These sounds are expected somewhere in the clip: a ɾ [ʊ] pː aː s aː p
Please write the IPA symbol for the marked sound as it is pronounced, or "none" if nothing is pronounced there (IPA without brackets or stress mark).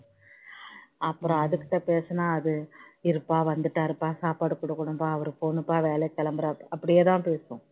ɯ